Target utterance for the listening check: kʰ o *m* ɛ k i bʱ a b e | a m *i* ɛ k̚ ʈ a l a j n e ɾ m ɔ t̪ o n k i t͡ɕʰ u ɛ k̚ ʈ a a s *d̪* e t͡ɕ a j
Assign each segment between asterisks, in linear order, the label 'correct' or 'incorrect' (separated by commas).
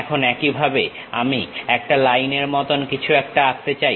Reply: incorrect, correct, incorrect